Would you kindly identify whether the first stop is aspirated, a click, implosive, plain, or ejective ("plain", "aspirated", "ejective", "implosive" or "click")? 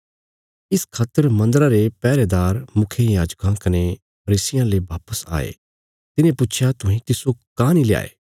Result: aspirated